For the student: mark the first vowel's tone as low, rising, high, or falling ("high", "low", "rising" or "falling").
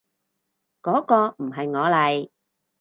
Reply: rising